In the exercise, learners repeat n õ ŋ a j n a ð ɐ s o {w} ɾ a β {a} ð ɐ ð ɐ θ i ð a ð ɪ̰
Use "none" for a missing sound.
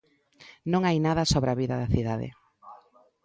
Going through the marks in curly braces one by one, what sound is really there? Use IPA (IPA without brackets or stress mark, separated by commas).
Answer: β, i